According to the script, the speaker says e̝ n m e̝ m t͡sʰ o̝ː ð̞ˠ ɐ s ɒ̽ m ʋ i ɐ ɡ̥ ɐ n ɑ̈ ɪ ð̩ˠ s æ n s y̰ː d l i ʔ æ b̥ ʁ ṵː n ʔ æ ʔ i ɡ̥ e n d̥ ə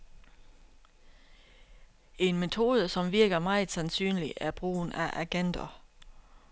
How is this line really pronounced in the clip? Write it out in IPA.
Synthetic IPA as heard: e̝ n m e̝ t͡sʰ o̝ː ð̞ˠ ə s ɒ̽ m ʋ i ɐ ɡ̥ ɐ m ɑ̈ ɪ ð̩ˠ s æ n s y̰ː n l i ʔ æ b̥ ʁ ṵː n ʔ æ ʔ æ ɡ̥ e n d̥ ɐ